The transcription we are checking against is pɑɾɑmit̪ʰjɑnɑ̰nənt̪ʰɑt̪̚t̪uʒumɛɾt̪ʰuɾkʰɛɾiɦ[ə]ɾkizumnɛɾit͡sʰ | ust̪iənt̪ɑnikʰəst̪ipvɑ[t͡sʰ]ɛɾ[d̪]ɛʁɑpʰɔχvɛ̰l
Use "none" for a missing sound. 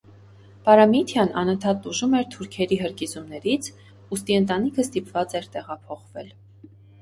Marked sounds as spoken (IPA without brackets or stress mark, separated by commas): ə, t͡s, t̪